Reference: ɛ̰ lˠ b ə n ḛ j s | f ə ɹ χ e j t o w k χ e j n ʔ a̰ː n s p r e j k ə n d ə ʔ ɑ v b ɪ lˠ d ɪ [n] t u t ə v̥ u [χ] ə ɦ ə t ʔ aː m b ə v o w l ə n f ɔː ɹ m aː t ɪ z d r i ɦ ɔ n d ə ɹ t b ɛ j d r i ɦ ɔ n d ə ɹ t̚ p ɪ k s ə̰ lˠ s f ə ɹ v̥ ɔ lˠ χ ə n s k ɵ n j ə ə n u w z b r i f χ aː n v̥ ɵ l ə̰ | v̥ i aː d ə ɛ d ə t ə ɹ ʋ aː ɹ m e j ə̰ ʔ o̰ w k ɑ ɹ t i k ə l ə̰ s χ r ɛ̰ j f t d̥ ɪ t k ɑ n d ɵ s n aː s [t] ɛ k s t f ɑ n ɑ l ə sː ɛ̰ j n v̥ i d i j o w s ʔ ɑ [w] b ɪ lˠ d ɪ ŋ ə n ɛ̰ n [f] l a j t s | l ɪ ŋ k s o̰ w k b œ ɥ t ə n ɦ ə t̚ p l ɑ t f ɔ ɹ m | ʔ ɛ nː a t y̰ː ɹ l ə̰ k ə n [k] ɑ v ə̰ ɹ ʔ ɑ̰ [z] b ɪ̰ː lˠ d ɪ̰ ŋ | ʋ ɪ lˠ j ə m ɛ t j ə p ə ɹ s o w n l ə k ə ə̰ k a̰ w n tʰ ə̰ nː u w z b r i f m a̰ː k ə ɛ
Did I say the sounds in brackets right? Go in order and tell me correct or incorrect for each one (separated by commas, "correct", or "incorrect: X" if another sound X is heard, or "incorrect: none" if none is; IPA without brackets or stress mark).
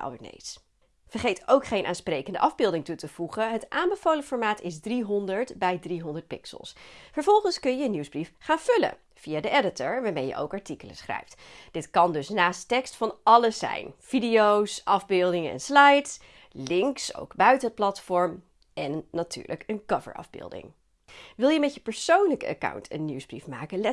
incorrect: ŋ, correct, correct, incorrect: v, incorrect: s, correct, incorrect: v